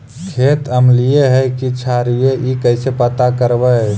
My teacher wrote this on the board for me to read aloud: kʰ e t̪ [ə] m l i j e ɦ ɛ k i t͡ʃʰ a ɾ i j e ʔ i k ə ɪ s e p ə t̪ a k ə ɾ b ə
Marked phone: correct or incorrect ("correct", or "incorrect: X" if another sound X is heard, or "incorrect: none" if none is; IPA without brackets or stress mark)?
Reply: correct